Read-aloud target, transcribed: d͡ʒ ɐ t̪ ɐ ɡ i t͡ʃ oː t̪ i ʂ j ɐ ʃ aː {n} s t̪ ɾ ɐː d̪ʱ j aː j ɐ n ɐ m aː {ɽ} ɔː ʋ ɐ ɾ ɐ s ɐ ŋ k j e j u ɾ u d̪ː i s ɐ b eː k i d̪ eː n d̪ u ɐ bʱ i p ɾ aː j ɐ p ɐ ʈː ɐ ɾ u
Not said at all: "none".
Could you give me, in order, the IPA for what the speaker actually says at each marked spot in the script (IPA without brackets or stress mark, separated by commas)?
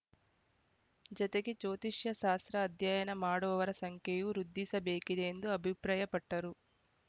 none, ɽ